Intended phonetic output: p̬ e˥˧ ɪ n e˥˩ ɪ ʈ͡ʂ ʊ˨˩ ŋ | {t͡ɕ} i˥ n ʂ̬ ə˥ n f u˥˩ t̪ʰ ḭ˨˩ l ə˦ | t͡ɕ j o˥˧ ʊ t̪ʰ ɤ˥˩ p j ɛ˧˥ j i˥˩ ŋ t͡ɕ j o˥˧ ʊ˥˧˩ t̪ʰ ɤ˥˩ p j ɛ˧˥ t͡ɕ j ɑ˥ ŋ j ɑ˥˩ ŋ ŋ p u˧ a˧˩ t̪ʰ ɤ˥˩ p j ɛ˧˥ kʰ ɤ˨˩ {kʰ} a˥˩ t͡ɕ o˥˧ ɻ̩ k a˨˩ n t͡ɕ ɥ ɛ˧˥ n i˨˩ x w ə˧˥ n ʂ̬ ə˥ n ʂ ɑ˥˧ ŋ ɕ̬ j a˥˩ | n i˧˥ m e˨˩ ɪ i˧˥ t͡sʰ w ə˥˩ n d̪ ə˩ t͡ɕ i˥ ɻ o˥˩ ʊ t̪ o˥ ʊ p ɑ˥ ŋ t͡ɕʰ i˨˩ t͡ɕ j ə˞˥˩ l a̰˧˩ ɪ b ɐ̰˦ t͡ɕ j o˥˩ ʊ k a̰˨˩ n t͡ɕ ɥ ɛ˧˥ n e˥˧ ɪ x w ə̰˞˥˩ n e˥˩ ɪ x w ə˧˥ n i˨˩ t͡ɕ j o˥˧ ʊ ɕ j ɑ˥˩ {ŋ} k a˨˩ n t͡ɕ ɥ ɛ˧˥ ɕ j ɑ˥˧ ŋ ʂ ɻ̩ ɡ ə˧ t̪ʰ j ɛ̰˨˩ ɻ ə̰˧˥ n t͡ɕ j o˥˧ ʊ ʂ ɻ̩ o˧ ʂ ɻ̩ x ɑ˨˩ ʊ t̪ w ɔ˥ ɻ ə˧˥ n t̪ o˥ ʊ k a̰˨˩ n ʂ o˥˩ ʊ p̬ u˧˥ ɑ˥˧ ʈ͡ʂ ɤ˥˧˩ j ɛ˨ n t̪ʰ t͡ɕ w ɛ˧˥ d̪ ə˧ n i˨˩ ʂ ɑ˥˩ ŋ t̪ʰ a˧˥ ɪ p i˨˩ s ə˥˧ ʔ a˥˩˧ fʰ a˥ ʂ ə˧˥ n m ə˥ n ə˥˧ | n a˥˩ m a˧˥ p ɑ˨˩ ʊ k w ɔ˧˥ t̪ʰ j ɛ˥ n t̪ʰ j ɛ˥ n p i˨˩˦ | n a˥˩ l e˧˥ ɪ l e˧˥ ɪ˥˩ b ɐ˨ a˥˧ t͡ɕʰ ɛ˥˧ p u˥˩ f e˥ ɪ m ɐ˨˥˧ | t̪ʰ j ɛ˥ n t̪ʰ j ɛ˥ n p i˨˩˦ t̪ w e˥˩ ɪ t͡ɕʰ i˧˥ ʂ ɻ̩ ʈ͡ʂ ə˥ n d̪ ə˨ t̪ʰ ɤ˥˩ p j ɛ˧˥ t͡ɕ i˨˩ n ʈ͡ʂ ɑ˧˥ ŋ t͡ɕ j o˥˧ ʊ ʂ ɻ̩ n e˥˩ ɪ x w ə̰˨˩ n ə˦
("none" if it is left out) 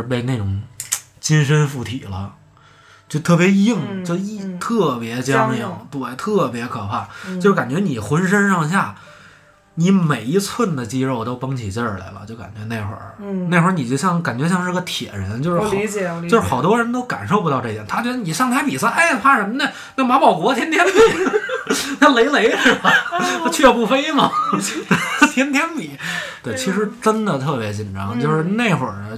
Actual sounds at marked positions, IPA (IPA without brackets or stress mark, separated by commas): t͡ɕ, pʰ, ŋ